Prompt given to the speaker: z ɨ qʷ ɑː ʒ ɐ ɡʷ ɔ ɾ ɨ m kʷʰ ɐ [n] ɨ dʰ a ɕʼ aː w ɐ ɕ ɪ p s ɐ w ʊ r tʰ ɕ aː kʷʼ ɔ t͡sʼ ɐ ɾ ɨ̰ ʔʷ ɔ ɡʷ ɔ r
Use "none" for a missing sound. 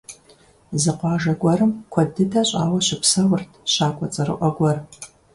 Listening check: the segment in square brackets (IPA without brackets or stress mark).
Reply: d